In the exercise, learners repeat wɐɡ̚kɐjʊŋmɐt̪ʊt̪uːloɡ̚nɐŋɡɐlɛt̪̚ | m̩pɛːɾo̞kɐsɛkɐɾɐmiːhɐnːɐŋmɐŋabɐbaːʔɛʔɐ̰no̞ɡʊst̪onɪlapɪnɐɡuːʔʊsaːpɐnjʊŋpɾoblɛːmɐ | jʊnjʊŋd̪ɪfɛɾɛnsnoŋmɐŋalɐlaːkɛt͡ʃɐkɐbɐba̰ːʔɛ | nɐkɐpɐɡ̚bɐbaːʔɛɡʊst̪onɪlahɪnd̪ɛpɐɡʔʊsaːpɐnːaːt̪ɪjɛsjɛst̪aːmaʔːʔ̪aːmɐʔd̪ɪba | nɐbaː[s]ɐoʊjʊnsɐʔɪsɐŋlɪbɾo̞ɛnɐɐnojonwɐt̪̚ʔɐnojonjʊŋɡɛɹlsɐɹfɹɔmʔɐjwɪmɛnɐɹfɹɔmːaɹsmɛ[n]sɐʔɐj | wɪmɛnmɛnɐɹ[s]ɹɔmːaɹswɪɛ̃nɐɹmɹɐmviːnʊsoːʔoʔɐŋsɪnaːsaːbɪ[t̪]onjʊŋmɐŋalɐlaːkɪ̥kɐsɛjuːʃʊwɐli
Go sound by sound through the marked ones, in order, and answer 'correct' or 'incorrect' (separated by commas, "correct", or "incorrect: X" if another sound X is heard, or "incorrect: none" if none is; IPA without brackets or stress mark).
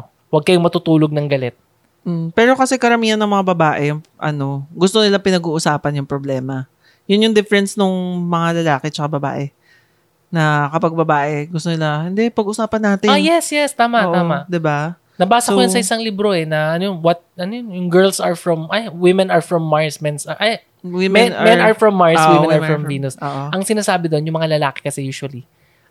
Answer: correct, correct, incorrect: f, incorrect: d̪